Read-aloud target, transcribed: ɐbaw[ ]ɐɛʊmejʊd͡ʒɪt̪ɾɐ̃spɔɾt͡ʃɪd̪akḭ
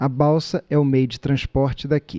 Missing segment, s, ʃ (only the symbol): s